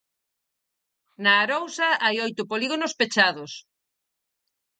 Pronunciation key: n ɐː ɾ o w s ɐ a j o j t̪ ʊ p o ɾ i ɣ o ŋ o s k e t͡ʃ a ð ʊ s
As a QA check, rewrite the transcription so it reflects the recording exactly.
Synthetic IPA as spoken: n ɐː ɾ o w s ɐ a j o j t̪ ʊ p o l i ɣ o n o s p e t͡ʃ a ð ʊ s